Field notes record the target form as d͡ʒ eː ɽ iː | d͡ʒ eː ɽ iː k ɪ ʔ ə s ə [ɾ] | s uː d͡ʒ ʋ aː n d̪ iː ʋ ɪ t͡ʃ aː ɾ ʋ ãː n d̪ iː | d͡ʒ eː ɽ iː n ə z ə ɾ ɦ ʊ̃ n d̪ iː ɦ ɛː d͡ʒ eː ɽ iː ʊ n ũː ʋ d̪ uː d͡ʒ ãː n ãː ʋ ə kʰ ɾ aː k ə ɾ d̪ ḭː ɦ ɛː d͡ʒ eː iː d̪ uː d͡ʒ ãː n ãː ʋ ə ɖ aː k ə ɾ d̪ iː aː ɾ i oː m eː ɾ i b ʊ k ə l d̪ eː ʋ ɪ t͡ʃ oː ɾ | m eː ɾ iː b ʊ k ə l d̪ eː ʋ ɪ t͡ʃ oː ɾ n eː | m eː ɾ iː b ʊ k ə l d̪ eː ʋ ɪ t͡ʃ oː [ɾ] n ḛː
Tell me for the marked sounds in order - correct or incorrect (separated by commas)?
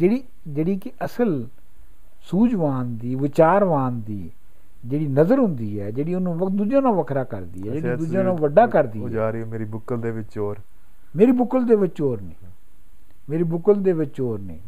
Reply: incorrect, correct